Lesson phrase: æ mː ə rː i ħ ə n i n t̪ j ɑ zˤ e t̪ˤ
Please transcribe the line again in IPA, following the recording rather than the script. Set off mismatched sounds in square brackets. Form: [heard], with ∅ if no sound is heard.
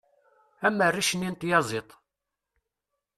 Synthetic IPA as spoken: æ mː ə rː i [ʃ] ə n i n t̪ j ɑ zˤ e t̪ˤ